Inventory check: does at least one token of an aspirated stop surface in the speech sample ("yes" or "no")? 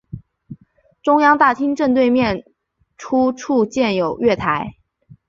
yes